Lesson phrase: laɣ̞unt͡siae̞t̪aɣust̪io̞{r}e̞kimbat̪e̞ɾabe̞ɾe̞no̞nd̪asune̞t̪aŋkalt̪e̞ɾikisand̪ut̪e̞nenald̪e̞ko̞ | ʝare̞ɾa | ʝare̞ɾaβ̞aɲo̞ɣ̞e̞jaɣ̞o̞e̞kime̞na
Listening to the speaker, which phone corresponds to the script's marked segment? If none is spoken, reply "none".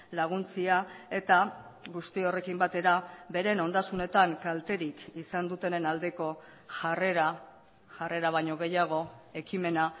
r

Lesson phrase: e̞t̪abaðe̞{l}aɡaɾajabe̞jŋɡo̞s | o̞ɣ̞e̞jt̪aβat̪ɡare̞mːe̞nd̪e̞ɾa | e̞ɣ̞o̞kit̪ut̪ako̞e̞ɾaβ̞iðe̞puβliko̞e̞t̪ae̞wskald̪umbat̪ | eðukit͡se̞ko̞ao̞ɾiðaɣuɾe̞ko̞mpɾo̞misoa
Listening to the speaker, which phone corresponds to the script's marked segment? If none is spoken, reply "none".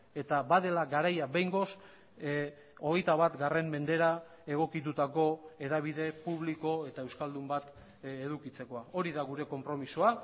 l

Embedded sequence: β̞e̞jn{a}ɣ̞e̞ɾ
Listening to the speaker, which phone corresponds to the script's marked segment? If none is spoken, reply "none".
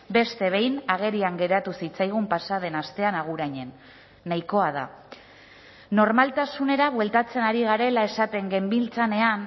a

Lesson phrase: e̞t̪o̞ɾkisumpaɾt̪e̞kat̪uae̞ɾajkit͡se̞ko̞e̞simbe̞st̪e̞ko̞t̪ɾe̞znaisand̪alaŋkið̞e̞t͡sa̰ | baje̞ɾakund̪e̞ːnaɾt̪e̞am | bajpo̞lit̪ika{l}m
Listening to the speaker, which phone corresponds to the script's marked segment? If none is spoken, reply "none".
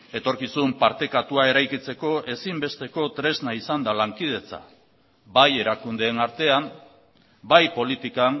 none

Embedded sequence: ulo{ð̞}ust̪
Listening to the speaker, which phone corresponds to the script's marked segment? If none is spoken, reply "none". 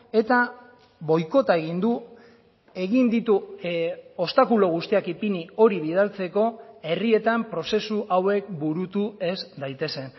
ɣ̞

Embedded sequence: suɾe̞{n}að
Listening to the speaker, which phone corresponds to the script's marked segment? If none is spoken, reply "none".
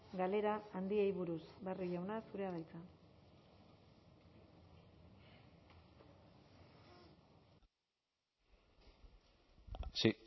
none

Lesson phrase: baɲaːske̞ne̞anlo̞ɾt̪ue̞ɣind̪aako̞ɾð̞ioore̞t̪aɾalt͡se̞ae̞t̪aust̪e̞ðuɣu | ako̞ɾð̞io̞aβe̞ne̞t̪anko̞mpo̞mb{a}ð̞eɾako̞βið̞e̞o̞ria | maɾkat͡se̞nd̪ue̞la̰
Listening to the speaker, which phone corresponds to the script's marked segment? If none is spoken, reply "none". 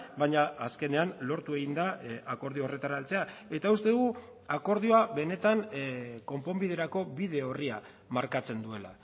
i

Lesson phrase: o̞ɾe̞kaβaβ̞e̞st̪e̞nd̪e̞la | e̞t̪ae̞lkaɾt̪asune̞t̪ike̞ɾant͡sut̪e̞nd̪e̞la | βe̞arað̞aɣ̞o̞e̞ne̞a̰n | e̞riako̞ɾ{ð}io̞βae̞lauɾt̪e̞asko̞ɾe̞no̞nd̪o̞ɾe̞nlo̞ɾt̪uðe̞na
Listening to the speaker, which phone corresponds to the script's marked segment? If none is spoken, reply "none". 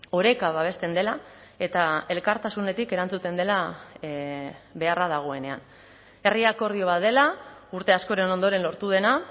ð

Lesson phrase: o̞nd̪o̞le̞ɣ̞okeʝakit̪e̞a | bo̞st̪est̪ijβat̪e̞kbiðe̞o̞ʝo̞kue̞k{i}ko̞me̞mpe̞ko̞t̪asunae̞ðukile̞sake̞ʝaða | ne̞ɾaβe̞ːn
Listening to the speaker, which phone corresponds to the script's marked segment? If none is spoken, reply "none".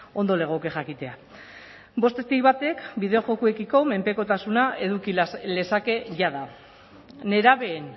i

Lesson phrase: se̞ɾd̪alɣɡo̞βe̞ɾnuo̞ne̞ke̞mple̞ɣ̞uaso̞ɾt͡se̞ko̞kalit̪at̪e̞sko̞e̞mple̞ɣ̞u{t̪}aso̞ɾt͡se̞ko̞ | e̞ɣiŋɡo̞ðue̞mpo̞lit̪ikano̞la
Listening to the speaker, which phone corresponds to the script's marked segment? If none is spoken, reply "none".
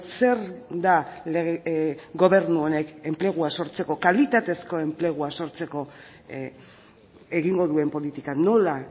none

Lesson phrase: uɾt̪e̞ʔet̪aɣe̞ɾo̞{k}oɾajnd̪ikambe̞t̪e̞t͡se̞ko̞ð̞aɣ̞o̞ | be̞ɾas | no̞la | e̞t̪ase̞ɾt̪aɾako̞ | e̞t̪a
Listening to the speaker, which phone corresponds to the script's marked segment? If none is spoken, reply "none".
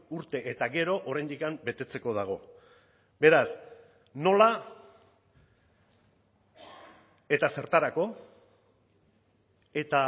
ʔ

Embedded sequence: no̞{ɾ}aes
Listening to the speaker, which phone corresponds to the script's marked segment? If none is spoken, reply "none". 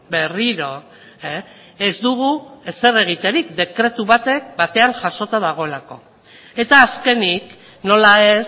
l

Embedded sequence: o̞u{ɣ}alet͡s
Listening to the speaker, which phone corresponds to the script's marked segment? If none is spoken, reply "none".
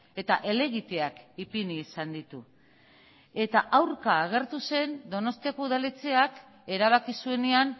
ð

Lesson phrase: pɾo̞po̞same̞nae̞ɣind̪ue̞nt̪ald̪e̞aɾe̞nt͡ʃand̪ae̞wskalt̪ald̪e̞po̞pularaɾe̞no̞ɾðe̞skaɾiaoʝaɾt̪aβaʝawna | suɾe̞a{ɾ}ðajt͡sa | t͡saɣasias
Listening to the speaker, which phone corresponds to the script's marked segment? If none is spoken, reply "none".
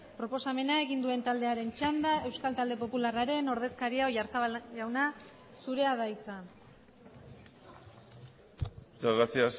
none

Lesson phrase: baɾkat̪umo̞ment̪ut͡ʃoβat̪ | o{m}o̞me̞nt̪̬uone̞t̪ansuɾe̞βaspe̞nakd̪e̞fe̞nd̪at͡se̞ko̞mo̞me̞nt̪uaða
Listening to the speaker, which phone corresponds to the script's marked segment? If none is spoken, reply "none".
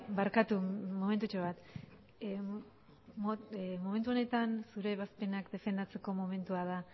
m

